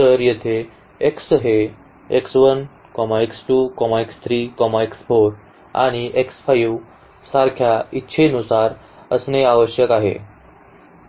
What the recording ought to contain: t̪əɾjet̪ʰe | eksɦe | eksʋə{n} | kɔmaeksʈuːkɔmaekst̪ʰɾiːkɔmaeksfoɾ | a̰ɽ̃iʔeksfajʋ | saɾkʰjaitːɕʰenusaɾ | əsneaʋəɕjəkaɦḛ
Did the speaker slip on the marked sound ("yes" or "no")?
no